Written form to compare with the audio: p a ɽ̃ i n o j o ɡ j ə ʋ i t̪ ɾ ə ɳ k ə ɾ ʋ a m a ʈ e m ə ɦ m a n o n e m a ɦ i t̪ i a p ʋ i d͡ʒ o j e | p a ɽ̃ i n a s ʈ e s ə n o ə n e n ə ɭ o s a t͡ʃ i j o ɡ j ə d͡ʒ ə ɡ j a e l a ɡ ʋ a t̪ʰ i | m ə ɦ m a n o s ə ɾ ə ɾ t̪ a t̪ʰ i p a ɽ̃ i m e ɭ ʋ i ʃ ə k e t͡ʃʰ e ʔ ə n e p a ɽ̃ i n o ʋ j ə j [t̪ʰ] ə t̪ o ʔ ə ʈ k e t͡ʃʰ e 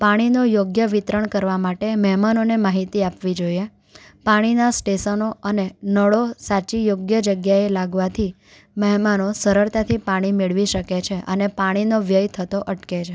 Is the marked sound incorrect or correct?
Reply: correct